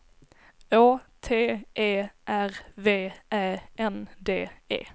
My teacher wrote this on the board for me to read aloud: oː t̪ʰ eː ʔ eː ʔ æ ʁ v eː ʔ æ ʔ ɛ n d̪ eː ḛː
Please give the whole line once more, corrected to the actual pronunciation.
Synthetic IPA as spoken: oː t̪ʰ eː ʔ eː ʔ æ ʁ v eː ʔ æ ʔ ɛ n d̪ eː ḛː